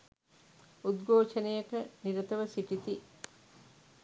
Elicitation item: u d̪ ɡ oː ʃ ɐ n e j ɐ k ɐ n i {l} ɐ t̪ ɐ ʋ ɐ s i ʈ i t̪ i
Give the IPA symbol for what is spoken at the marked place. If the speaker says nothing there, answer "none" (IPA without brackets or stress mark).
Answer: ɾ